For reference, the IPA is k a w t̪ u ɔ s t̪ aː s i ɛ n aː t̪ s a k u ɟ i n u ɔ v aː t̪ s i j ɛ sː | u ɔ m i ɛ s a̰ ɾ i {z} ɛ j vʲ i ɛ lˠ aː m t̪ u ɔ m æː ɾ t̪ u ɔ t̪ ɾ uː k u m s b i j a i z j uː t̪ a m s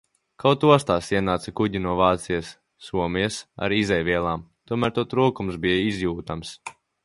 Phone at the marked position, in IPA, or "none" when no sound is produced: z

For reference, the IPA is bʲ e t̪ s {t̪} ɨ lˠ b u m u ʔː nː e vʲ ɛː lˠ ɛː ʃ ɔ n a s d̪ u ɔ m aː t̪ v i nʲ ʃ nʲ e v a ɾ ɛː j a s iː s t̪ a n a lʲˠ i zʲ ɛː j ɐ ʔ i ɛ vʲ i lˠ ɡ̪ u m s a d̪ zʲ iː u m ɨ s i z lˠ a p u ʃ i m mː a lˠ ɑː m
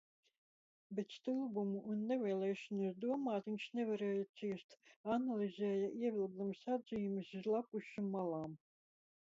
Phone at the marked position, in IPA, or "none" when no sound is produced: t̪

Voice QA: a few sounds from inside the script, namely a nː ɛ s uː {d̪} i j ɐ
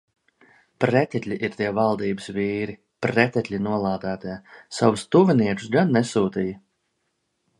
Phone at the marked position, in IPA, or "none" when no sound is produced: t̪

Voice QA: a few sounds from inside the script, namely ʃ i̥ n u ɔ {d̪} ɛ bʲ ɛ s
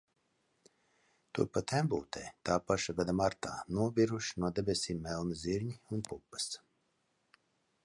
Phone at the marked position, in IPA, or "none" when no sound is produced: d̪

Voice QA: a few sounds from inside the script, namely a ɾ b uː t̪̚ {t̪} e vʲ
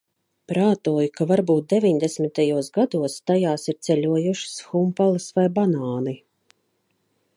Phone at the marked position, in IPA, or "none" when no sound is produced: d̪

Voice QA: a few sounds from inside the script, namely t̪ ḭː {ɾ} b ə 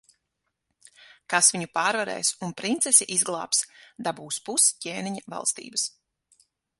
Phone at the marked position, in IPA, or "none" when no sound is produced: none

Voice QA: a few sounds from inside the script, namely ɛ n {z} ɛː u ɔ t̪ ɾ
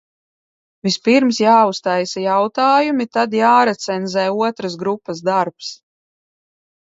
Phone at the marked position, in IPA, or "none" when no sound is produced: z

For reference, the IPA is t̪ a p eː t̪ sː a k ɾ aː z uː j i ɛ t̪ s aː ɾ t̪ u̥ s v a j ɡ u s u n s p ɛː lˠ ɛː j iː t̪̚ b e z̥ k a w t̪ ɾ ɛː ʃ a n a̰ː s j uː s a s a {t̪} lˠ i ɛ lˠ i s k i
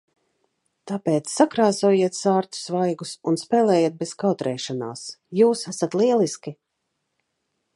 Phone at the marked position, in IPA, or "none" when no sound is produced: t̪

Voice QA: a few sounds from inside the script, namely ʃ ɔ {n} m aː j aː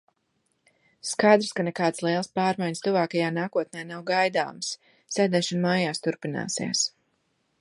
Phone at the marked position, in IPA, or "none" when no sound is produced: n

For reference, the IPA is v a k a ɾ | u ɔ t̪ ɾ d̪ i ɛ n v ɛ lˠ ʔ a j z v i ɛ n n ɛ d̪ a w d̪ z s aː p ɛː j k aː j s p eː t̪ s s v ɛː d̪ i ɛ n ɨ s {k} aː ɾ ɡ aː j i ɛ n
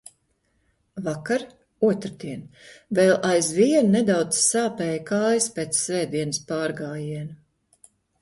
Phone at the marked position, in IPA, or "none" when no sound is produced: p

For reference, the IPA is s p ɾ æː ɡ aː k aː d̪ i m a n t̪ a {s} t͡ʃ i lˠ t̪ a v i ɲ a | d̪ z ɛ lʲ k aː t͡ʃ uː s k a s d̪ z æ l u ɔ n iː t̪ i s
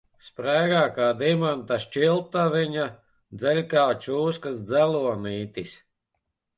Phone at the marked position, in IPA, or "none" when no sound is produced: ʃ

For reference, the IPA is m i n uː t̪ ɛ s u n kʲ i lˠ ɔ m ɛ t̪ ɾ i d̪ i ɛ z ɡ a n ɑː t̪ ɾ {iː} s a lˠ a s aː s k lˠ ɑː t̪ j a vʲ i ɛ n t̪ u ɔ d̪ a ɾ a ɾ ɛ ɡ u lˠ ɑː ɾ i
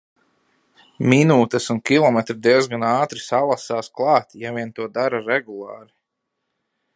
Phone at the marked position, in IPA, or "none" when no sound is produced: i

